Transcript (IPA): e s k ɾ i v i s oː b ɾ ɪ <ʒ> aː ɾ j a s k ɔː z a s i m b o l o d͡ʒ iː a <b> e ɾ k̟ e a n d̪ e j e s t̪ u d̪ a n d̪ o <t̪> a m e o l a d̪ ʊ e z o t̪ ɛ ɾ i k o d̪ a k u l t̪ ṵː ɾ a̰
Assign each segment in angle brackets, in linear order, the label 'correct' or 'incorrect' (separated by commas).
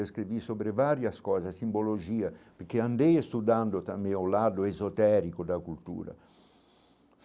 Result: incorrect, incorrect, correct